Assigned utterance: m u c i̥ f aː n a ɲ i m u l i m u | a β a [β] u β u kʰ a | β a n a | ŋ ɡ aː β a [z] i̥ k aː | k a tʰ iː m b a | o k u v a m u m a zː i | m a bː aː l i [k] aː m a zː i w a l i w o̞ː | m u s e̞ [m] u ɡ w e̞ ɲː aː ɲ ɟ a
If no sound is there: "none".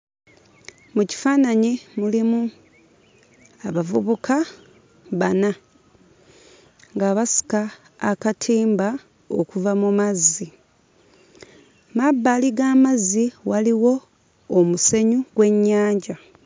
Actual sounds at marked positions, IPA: v, s, ɡ, ɲ

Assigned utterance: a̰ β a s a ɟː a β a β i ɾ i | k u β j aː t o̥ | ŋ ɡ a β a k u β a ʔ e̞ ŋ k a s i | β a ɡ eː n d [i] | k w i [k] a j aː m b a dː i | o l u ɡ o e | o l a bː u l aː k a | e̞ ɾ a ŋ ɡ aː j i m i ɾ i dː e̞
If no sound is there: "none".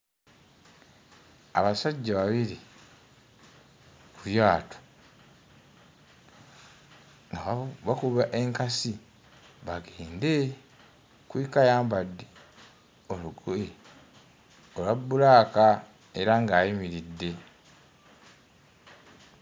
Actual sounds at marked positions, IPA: e, k

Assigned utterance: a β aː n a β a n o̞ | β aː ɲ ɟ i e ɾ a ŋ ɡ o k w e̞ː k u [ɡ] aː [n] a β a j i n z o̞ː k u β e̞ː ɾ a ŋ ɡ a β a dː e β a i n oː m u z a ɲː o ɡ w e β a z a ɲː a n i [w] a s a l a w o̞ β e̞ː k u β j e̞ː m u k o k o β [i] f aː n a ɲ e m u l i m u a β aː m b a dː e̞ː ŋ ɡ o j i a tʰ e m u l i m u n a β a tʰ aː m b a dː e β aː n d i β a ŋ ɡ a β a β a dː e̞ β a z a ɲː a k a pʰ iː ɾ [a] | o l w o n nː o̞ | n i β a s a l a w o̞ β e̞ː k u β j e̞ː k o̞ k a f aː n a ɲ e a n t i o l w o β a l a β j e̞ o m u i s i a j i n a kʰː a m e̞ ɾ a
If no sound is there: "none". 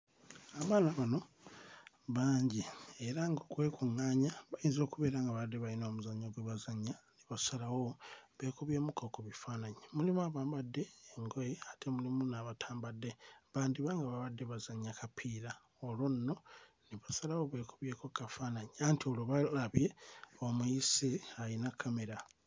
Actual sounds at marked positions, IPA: ŋ, ɲ, β, i, a

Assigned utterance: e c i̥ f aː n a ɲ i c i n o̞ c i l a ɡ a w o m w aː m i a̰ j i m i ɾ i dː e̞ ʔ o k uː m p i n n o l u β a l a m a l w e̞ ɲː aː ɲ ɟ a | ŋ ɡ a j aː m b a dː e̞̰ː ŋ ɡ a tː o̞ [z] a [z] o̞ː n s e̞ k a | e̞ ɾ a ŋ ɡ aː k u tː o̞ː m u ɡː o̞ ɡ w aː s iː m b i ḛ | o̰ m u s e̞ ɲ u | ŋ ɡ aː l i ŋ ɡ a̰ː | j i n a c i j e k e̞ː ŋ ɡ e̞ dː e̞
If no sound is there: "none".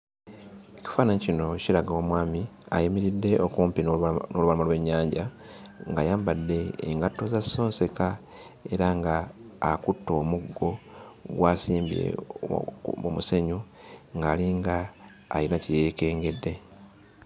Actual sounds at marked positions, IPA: z, s

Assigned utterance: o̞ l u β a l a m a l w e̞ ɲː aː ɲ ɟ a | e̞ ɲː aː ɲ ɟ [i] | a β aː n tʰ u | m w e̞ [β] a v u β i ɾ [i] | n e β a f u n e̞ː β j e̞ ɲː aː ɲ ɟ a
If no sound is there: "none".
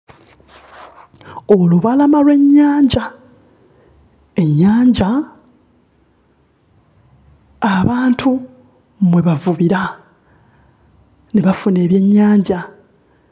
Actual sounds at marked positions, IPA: a, β, a

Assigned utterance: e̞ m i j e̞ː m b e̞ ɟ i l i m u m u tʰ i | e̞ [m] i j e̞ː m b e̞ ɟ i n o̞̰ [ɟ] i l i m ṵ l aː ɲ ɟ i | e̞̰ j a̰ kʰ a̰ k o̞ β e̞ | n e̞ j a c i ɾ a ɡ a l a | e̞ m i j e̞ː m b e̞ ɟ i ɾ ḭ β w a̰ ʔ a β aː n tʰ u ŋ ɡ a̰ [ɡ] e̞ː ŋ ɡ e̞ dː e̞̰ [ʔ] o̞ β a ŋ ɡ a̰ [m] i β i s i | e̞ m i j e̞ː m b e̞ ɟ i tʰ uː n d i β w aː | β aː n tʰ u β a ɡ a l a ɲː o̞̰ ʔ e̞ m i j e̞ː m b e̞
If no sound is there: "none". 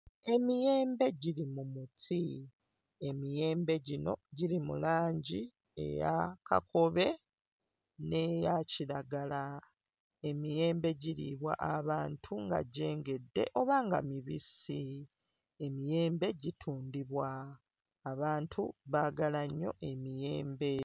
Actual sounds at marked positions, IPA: m, ɟ, ɟ, ʔ, m

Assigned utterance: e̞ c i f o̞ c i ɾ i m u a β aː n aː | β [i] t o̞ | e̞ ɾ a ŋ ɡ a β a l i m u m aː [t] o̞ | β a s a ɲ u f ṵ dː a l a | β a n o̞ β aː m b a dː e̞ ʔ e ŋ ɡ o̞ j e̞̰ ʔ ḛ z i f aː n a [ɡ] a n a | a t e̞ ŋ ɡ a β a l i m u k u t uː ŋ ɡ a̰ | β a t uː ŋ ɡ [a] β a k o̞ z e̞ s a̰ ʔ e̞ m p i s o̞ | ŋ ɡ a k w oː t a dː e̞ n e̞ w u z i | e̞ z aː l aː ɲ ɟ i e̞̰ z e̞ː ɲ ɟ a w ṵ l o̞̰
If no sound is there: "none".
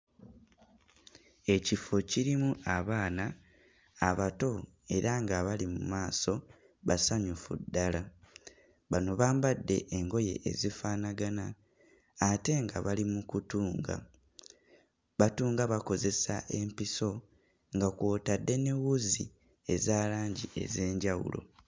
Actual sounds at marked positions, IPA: a, s, ɡ, a

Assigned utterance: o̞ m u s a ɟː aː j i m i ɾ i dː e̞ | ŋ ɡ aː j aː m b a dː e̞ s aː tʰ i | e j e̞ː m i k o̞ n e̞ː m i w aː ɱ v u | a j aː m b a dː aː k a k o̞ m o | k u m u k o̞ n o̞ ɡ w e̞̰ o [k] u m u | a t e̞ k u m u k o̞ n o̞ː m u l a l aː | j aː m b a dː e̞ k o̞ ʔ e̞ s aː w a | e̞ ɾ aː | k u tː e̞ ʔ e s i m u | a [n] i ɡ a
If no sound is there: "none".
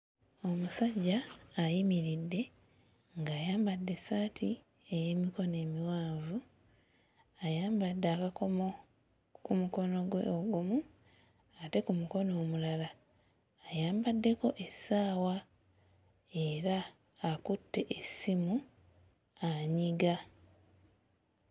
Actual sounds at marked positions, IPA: ɡ, ɲ

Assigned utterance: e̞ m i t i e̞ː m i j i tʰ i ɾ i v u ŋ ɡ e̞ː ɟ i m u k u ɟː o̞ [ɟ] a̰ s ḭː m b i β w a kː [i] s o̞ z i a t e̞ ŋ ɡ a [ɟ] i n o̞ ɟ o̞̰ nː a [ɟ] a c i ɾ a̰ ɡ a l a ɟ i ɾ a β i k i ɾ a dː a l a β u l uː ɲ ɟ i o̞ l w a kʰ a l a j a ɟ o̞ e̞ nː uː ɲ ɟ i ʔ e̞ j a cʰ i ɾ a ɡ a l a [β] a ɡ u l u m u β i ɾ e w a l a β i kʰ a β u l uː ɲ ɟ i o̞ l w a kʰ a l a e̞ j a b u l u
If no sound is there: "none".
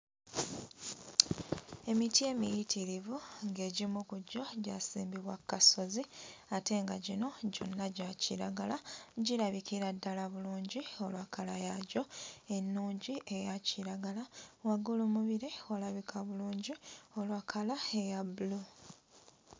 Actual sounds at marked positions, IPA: ɟ, a, ɟ, ɟ, w

